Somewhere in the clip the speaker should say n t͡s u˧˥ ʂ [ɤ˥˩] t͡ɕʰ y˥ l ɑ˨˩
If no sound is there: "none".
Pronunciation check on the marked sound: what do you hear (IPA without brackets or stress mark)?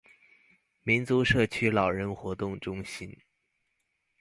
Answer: ɤ˥˩